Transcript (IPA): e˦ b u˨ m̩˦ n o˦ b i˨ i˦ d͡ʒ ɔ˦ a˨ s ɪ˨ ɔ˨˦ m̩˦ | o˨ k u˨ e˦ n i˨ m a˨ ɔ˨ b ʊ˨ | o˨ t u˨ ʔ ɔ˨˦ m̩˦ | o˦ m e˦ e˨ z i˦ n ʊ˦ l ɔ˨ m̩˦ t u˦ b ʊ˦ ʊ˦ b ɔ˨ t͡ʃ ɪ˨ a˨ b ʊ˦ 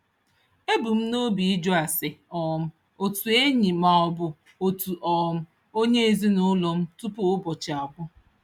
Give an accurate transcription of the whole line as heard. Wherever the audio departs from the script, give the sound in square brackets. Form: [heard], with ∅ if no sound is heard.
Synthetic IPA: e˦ b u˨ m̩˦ n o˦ b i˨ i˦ d͡ʒ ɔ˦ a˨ s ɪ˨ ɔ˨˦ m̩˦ | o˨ [t] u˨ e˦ [ɲ] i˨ m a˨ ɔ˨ b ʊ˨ | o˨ t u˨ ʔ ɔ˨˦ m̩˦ | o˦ [ɲ] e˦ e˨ z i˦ n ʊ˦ l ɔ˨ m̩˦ t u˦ [p] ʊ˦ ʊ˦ b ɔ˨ t͡ʃ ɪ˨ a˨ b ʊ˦